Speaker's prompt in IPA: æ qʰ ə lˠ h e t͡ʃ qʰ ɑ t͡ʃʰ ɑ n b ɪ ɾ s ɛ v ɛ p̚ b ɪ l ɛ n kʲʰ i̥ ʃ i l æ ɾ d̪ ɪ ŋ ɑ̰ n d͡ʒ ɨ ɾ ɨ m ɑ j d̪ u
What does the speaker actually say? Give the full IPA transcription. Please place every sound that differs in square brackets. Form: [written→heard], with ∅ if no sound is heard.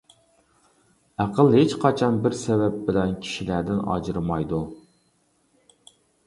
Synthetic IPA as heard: æ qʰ ə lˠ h e t͡ʃ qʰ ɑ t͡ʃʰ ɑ n b ɪ ɾ s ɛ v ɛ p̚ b ɪ l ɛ n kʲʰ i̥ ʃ i l æ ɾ d̪ ɪ [ŋ→n] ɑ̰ [n→∅] d͡ʒ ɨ ɾ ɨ m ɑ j d̪ u

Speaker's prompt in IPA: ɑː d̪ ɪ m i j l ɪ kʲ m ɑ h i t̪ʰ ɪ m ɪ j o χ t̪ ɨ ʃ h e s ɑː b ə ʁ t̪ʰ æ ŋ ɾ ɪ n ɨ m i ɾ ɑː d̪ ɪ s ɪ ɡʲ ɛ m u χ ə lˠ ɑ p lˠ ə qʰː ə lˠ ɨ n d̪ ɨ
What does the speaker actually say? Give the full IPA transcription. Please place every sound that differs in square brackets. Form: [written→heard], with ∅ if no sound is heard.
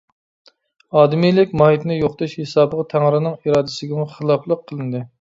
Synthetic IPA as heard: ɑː d̪ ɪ m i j l ɪ kʲ m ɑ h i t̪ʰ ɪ [m→n] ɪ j o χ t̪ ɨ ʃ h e s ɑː b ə ʁ t̪ʰ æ ŋ ɾ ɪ n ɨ [m→ŋ] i ɾ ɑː d̪ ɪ s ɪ ɡʲ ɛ m u χ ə lˠ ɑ p lˠ ə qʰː ə lˠ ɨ n d̪ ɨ

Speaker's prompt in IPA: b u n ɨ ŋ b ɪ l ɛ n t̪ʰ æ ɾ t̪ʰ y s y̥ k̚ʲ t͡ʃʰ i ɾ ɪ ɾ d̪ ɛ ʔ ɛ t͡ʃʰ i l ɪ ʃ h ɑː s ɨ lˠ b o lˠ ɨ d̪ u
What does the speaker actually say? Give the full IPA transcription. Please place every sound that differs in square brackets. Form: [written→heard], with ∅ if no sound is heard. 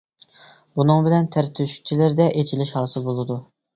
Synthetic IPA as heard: b u n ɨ ŋ b ɪ l ɛ n t̪ʰ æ ɾ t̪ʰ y [s→ʃ] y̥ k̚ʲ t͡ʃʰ i [ɾ→l] ɪ ɾ d̪ ɛ ʔ [ɛ→e] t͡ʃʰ i l ɪ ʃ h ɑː s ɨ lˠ b o lˠ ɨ d̪ u

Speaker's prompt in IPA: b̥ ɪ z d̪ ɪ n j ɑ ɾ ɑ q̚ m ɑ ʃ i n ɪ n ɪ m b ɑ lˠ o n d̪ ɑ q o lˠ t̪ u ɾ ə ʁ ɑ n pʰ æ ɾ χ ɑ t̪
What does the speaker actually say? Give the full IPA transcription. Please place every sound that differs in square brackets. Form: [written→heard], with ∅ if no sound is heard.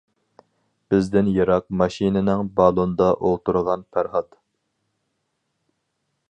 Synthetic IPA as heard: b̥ ɪ z d̪ ɪ n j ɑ ɾ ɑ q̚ m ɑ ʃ i n ɪ n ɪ [m→ŋ] b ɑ lˠ o n d̪ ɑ [q→ʔ] o lˠ t̪ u ɾ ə ʁ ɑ n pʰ æ ɾ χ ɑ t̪

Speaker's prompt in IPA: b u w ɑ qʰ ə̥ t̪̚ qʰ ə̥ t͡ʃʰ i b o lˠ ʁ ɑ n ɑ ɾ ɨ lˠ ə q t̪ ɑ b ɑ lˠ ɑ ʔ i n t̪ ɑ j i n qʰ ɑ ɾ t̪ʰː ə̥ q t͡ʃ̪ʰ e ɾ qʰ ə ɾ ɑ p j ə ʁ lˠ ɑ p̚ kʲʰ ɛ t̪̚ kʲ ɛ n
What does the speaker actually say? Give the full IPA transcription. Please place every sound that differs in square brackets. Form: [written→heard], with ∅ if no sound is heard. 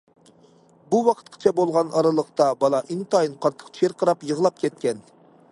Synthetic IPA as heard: b u w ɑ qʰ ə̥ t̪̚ qʰ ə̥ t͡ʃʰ [i→ɛ] b o lˠ ʁ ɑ n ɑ ɾ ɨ lˠ ə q t̪ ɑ b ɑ lˠ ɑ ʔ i n t̪ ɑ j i n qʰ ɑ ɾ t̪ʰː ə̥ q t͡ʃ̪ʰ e ɾ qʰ ə ɾ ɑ p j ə ʁ lˠ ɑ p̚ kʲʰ ɛ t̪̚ kʲ ɛ n

